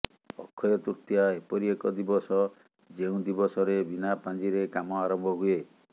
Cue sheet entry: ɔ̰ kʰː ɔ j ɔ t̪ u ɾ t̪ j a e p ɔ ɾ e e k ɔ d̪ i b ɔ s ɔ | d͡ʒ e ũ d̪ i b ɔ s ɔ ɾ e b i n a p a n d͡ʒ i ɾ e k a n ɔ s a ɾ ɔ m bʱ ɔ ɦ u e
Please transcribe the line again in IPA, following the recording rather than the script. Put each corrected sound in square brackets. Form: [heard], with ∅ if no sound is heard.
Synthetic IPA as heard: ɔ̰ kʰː ɔ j ɔ t̪ u ɾ t̪ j a e p ɔ ɾ [i] e k ɔ d̪ i b ɔ s ɔ | d͡ʒ e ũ d̪ i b ɔ s ɔ ɾ e b i n a p a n d͡ʒ i ɾ e k a [m] ɔ [∅] a ɾ ɔ m bʱ ɔ ɦ u e